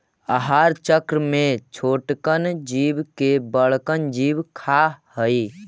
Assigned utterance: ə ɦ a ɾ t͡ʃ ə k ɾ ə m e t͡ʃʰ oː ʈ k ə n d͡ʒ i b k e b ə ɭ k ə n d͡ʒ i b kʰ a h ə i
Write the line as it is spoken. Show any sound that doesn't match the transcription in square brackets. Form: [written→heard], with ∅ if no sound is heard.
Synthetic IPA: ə ɦ a ɾ t͡ʃ ə k ɾ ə m e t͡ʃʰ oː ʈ k ə n d͡ʒ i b k e b ə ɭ k ə n d͡ʒ i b kʰ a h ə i